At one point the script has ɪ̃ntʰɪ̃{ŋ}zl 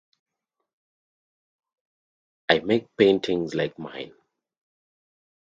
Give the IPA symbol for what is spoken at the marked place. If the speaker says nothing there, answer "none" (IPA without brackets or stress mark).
ŋ